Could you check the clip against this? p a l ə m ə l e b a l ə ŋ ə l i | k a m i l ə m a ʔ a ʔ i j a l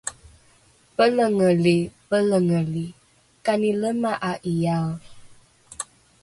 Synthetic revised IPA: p ə l ə ŋ ə l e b ə l ə ŋ ə l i | k a n i l ə m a ʔ a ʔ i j a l